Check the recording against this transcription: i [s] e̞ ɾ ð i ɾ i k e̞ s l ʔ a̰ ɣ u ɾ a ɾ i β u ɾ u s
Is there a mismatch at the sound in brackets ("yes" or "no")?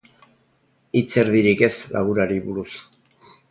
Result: yes